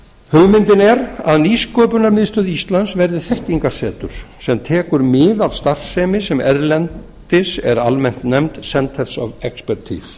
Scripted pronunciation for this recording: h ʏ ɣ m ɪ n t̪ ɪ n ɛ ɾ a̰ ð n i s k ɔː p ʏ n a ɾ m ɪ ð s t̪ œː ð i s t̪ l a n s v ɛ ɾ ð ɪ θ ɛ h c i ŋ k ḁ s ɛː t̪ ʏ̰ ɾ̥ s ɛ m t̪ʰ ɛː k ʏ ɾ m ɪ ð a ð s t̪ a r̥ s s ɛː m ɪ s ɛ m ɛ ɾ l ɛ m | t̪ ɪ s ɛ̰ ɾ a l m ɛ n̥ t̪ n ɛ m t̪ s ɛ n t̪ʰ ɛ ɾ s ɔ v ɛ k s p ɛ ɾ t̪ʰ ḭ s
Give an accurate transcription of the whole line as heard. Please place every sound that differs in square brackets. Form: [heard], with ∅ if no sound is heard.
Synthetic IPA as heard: h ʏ ɣ m ɪ n t̪ ɪ n ɛ ɾ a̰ ð n i s k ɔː p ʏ n a ɾ m ɪ ð s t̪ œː ð i s t̪ l a n s v ɛ ɾ ð ɪ θ ɛ h c i ŋ k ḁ s ɛː t̪ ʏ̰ ɾ̥ s ɛ m t̪ʰ ɛː k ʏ ɾ m ɪ ð a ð s t̪ a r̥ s s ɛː m ɪ s ɛ m ɛ ɾ l ɛ [n] | t̪ ɪ s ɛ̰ ɾ a l m ɛ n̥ t̪ n ɛ m t̪ s ɛ n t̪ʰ ɛ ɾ s ɔ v ɛ k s p ɛ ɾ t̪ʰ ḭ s

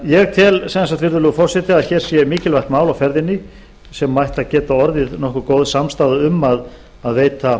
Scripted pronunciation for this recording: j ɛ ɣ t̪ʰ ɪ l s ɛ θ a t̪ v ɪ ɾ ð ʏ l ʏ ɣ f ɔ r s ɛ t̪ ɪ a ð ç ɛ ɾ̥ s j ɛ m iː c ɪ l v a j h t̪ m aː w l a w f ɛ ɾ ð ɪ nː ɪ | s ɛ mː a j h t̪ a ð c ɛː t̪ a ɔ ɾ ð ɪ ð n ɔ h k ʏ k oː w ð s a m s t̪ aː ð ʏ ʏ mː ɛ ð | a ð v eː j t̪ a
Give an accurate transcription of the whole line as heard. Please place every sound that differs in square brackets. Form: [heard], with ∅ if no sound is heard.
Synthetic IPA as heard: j ɛ ɣ t̪ʰ ɪ l s ɛ [s] a t̪ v ɪ ɾ ð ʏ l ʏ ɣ f ɔ r s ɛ t̪ ɪ a ð ç ɛ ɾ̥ s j ɛ m iː c ɪ l v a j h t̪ m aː w l a w f ɛ ɾ ð ɪ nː ɪ | s ɛ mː a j h t̪ a ð c ɛː t̪ a ɔ ɾ ð ɪ ð n ɔ h k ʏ k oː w ð s a m s t̪ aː ð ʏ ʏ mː [a] ð | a ð v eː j t̪ a

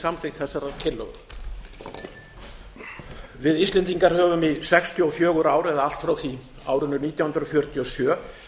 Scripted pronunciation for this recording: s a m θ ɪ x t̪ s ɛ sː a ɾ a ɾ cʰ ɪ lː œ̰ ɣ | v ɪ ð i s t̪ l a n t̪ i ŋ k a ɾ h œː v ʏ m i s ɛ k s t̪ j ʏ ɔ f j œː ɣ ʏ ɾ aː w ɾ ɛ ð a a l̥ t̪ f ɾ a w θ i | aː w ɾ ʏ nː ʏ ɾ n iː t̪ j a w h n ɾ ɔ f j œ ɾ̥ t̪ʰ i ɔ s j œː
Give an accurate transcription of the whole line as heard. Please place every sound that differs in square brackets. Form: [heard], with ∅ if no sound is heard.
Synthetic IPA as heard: s a m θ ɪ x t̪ [θ] ɛ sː a ɾ a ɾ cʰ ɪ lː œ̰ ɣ | v ɪ ð i s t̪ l [ɛ] n t̪ i ŋ k a ɾ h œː v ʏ m i s ɛ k s t̪ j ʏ ɔ f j œː ɣ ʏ ɾ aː w ɾ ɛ ð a a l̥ t̪ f ɾ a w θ i | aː w ɾ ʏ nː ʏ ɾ n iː t̪ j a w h n ɾ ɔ f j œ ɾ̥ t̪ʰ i ɔ s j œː

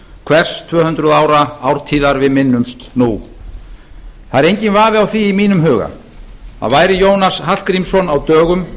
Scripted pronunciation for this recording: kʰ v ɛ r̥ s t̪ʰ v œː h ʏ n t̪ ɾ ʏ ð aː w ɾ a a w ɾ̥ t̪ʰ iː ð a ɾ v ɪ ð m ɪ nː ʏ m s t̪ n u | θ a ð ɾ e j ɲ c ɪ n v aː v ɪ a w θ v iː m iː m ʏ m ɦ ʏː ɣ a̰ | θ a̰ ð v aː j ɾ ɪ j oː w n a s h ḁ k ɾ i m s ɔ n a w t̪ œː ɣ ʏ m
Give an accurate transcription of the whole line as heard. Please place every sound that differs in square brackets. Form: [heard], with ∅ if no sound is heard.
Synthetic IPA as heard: kʰ v ɛ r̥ s t̪ʰ v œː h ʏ n t̪ ɾ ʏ ð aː w ɾ a a w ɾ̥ t̪ʰ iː ð a ɾ v ɪ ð m ɪ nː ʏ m s t̪ n u | θ a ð ɾ e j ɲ c ɪ n v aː v ɪ a w θ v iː m iː [n] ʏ m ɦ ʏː ɣ a̰ | θ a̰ ð v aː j ɾ ɪ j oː w n a s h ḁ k ɾ i m s ɔ n a w t̪ œː ɣ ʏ m

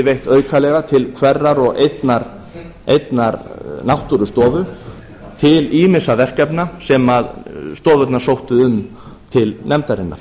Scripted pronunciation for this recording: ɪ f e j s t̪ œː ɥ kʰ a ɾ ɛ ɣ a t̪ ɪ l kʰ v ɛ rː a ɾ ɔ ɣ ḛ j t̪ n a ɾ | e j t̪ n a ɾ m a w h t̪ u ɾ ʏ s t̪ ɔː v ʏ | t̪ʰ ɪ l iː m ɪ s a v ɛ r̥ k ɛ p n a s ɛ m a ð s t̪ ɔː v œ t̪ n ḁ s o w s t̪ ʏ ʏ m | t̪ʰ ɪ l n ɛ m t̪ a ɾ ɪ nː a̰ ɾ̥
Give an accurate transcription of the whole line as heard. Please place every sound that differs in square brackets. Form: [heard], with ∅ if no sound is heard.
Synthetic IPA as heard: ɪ [v] e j [h] t̪ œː ɥ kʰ a [l] ɛ ɣ a [t̪ʰ] ɪ l kʰ v ɛ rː a ɾ ɔ ɣ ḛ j t̪ n a ɾ | e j t̪ n a ɾ [n] a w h t̪ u ɾ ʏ s t̪ ɔː v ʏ | t̪ʰ ɪ l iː m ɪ s a v ɛ r̥ k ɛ p n a s ɛ m a ð s t̪ ɔː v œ t̪ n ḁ s o w [h] t̪ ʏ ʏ m | t̪ʰ ɪ l n ɛ m t̪ a ɾ ɪ nː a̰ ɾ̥

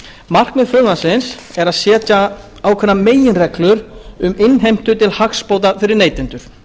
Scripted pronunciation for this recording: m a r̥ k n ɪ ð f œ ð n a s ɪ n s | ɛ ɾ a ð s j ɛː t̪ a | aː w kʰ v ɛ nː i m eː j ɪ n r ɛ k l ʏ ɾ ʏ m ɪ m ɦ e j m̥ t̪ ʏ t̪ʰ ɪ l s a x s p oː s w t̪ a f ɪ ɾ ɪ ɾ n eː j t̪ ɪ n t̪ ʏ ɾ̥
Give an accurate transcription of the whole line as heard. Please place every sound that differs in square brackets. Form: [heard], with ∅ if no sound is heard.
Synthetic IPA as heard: m a r̥ k n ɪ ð f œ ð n a s ɪ n s | ɛ ɾ a ð s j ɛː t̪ a | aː w kʰ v ɛ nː [a] m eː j ɪ n r ɛ k l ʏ ɾ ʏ m ɪ [n] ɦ e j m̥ t̪ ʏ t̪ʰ ɪ l [h] a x s p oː [∅] w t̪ a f ɪ ɾ ɪ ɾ n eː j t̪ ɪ n t̪ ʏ ɾ̥

